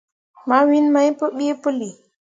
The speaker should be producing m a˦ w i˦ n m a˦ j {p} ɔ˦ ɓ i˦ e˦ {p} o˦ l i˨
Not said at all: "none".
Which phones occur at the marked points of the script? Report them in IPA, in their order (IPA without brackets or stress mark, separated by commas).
p, p